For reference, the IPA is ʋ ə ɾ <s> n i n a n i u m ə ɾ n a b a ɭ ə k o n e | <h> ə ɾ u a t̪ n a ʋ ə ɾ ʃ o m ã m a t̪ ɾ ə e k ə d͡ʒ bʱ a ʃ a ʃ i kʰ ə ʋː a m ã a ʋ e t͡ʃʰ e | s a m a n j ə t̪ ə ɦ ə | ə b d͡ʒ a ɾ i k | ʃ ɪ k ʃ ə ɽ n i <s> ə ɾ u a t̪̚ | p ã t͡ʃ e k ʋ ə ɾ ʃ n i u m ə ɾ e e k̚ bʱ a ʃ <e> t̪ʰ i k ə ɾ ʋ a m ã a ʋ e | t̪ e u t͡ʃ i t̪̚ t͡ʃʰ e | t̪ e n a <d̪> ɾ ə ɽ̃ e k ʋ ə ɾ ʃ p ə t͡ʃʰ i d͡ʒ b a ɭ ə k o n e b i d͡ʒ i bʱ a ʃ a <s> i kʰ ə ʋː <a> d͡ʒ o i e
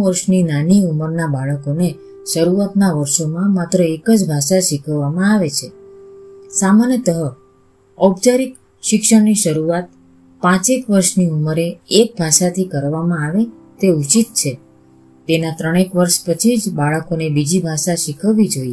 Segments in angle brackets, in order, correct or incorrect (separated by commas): incorrect, incorrect, incorrect, incorrect, incorrect, incorrect, incorrect